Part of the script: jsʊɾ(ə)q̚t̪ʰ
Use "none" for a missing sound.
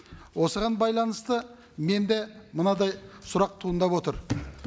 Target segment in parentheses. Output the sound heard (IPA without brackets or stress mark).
ɑ